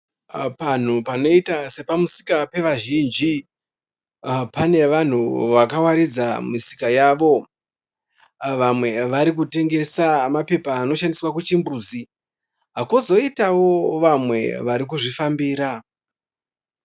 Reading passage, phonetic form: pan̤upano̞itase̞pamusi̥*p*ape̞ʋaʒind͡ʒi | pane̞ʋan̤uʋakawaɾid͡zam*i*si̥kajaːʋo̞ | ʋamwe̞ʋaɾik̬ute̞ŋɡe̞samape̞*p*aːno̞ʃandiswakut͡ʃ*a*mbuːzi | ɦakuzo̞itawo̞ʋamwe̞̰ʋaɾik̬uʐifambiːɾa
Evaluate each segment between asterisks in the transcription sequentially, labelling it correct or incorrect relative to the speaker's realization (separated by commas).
incorrect, correct, correct, incorrect